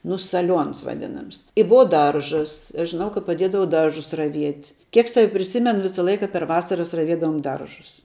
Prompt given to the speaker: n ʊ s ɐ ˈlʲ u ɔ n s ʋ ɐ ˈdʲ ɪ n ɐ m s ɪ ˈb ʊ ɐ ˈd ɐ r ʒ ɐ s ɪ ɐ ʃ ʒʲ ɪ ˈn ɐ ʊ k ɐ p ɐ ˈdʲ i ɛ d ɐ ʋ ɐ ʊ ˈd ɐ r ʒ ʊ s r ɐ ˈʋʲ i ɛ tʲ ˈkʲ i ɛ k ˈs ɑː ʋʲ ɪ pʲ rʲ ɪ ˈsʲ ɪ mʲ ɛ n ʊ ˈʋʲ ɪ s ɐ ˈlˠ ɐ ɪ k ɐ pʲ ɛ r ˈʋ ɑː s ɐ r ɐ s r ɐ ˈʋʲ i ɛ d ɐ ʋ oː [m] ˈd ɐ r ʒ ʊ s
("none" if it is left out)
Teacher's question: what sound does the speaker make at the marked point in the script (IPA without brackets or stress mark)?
m